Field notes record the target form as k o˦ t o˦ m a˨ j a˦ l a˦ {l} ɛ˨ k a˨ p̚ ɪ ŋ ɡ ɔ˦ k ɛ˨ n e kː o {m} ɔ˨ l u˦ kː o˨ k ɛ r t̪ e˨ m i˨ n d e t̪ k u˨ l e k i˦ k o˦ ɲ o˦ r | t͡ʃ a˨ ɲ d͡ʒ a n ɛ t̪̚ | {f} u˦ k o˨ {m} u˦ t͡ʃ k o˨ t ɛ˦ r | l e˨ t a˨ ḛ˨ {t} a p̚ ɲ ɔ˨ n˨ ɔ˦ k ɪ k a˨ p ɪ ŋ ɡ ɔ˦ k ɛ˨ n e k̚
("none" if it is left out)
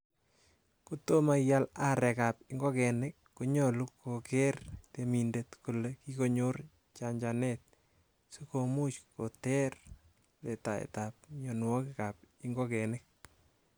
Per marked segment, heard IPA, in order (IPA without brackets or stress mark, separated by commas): ɾ, ɲ, s, m, t